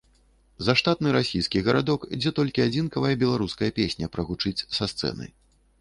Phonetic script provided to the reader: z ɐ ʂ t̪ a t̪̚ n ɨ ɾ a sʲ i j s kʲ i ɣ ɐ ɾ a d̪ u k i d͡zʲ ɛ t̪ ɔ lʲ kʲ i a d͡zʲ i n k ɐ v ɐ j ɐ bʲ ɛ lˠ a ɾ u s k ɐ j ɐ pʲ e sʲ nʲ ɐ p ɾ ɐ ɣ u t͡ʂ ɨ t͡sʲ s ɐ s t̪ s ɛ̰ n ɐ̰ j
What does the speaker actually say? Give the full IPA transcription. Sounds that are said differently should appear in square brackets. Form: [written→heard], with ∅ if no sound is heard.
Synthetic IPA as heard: z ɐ ʂ t̪ a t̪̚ n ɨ ɾ a sʲ i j s kʲ i ɣ ɐ ɾ a d̪ [u→ɔ] k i d͡zʲ ɛ t̪ ɔ lʲ kʲ i a d͡zʲ i n k ɐ v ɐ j ɐ bʲ ɛ lˠ a ɾ u s k ɐ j ɐ pʲ e sʲ nʲ ɐ p ɾ ɐ ɣ u t͡ʂ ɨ t͡sʲ s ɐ s t̪ s ɛ̰ n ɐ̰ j